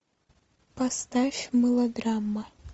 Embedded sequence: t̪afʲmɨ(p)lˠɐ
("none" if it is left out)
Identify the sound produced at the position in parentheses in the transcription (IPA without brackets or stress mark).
none